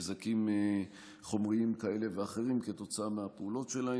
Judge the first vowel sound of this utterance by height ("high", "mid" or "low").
low